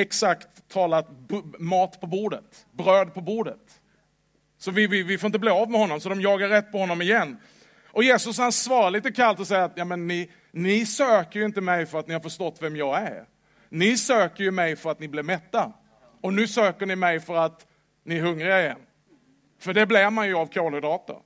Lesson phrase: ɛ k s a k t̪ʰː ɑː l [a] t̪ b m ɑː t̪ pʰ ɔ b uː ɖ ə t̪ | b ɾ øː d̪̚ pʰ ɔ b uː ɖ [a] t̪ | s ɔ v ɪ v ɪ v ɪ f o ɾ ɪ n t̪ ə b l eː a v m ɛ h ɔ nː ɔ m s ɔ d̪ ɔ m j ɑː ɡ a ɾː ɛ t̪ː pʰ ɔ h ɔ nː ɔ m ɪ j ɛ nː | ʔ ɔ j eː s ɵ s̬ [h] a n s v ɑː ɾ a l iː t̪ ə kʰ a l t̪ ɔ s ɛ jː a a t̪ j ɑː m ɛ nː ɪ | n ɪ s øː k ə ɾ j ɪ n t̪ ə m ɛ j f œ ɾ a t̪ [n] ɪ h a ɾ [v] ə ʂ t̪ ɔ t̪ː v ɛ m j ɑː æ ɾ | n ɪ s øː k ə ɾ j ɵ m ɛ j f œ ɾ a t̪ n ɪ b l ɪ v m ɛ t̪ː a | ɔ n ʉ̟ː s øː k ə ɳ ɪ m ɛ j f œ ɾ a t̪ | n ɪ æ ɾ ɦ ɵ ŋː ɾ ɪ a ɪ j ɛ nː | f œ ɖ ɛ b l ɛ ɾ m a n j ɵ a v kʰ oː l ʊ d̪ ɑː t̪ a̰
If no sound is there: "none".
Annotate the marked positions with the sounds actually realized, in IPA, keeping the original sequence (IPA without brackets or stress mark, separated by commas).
a, ə, h, n, f